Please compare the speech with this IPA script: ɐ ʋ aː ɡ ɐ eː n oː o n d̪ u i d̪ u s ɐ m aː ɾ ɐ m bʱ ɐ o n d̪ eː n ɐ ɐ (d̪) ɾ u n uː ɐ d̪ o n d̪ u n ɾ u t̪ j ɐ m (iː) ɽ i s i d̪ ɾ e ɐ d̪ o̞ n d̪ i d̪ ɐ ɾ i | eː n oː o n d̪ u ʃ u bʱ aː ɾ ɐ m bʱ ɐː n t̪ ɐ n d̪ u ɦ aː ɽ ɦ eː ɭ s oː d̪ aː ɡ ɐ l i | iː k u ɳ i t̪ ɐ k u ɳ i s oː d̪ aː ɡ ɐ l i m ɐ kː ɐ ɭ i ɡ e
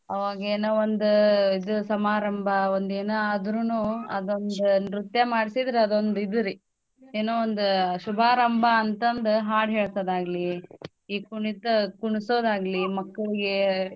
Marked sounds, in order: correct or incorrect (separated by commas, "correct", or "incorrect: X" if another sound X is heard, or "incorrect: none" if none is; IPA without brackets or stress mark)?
correct, incorrect: aː